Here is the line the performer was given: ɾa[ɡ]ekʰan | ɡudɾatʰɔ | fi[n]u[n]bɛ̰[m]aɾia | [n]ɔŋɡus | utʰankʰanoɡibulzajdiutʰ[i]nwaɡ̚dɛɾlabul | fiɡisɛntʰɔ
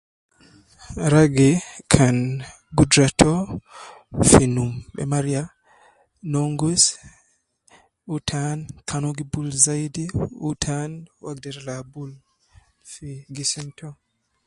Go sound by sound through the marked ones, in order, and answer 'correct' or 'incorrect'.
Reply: correct, correct, incorrect: m, correct, correct, incorrect: a

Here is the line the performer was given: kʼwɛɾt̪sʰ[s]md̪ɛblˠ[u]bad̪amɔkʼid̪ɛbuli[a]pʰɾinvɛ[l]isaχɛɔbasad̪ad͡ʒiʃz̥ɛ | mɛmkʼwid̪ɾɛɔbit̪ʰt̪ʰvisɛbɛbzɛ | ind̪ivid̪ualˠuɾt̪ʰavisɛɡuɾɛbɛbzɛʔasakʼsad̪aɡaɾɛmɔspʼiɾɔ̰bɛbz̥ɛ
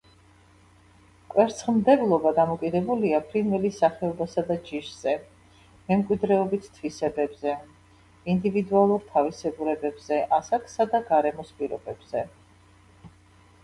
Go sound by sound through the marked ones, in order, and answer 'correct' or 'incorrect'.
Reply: incorrect: χ, incorrect: ɔ, correct, correct

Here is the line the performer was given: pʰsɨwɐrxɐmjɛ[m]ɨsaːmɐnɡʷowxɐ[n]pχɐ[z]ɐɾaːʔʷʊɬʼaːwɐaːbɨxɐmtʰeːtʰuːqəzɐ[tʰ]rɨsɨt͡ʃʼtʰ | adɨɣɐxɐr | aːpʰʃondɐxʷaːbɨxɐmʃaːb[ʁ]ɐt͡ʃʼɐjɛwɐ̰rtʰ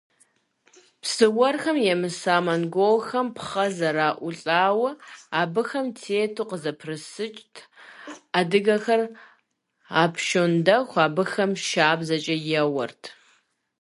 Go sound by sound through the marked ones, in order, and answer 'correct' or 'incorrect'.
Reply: correct, incorrect: m, correct, incorrect: pʰ, incorrect: z

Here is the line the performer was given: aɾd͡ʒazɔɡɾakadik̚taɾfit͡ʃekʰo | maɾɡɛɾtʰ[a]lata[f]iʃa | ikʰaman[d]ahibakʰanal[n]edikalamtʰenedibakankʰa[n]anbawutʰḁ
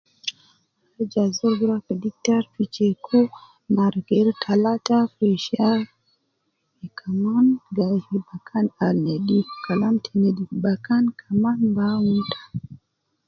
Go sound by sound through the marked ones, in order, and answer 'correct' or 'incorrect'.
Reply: correct, correct, incorrect: ɡ, correct, incorrect: m

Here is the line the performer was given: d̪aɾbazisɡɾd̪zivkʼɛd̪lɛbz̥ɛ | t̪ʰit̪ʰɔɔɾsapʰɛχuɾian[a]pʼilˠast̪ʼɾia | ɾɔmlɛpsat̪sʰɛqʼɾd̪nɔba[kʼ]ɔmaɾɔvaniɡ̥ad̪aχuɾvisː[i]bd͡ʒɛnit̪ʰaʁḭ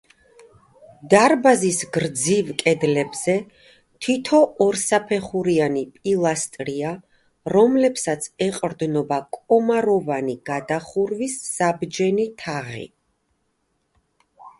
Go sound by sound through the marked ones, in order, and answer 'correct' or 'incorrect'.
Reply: incorrect: i, correct, incorrect: a

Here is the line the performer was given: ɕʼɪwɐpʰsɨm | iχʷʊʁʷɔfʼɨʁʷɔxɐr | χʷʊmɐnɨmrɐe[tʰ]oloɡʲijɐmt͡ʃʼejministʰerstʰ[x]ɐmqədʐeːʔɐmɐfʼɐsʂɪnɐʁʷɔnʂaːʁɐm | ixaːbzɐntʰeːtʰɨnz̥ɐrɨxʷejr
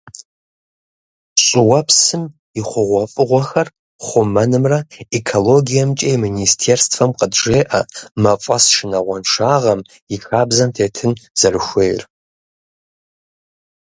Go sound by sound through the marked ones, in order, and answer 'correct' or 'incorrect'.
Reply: incorrect: kʰ, incorrect: f

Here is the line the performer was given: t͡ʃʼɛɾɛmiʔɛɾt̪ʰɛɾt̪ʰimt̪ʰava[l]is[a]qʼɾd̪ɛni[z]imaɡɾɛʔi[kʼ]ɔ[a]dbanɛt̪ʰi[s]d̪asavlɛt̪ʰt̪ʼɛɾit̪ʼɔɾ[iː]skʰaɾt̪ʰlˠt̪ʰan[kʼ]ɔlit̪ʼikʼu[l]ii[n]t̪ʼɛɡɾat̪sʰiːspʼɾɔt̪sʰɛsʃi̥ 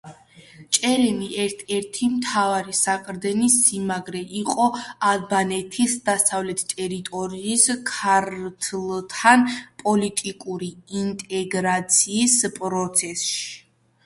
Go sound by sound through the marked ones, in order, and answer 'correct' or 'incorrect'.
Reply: incorrect: ɾ, correct, incorrect: s, incorrect: qʼ, correct, correct, correct, incorrect: pʼ, incorrect: ɾ, correct

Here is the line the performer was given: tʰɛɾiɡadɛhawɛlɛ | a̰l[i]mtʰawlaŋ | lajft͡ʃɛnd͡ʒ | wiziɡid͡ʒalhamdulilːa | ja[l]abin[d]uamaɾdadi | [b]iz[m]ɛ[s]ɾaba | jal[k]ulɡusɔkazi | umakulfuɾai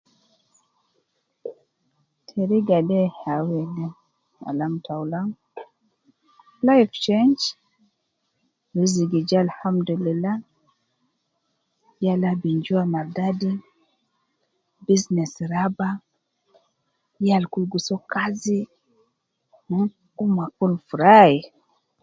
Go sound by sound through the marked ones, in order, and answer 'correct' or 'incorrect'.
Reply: incorrect: a, correct, incorrect: d͡ʒ, correct, incorrect: n, correct, correct

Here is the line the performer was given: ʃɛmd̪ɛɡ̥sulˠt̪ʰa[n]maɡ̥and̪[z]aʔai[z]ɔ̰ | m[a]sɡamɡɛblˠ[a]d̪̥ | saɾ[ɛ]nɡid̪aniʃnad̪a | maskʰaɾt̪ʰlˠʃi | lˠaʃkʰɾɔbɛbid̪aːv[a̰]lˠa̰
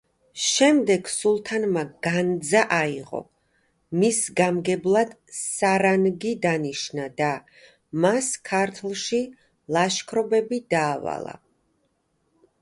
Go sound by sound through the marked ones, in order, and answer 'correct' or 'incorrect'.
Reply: correct, correct, incorrect: ʁ, incorrect: i, correct, incorrect: a, correct

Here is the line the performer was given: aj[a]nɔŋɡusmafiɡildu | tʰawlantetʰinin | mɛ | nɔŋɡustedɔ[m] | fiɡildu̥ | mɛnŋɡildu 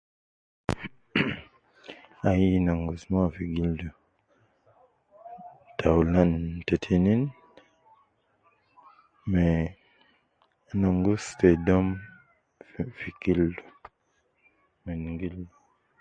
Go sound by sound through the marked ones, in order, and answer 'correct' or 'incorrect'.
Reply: incorrect: i, correct

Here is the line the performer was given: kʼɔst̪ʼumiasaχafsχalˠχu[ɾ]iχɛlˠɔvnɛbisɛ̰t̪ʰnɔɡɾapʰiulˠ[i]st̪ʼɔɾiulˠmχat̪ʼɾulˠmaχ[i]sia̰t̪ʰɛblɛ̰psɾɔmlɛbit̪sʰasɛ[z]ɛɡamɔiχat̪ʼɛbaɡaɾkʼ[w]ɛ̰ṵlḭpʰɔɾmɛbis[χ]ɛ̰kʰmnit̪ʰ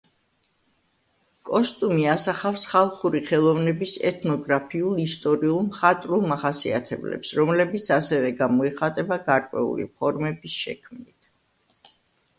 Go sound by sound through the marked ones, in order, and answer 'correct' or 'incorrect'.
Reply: correct, correct, incorrect: a, incorrect: v, correct, incorrect: ʃ

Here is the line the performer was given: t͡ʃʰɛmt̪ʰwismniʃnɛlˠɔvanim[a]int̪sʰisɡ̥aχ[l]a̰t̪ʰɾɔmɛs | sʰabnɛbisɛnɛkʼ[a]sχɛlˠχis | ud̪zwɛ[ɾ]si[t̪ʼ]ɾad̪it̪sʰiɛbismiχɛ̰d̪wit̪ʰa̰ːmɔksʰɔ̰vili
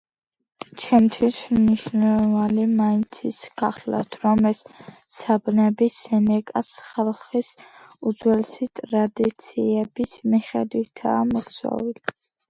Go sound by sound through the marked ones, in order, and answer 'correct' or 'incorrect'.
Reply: correct, correct, correct, incorrect: l, correct

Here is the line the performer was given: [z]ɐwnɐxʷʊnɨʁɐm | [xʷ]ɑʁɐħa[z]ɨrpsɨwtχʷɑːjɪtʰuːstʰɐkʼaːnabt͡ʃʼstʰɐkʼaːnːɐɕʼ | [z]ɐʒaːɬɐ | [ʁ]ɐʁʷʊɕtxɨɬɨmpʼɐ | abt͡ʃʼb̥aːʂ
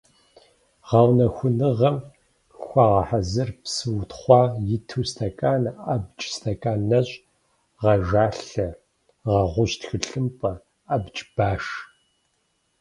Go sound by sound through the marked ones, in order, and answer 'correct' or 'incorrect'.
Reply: incorrect: ʁ, correct, correct, incorrect: ʁ, correct

